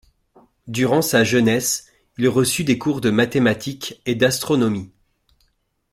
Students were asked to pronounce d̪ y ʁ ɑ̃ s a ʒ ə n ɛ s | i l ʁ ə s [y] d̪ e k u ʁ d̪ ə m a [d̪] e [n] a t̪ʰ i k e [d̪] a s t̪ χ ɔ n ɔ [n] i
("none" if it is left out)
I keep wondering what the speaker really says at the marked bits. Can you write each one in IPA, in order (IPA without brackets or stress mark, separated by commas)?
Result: y, t̪, m, d̪, m